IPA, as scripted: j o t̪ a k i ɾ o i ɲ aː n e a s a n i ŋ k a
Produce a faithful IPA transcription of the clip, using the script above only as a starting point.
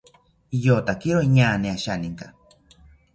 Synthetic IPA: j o t̪ a k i ɾ o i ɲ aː n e a ʃ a n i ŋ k a